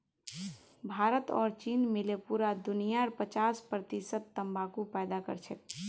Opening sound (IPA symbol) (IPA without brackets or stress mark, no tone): bʱ